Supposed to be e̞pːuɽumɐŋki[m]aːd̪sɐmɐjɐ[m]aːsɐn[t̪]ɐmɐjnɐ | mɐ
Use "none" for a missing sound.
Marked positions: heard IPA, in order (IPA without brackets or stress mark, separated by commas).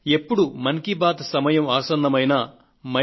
b, m, d̪